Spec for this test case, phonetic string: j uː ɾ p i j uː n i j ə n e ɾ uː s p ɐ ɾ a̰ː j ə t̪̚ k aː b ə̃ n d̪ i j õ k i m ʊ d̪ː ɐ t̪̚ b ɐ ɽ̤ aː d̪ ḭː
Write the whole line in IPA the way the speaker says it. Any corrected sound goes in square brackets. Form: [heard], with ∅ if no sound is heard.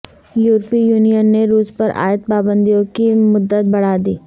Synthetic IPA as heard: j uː ɾ p i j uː n i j ə [nː] e ɾ uː s p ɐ ɾ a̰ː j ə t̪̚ [p] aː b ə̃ n d̪ i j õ k i m ʊ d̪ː [ə] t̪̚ b ɐ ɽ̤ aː d̪ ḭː